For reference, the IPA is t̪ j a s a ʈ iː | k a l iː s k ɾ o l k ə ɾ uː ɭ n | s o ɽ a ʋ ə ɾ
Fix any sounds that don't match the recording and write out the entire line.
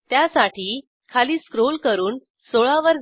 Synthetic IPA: t̪ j a s a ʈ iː | kʰ a l iː s k ɾ o l k ə ɾ uː n | s o ɭ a ʋ ə ɾ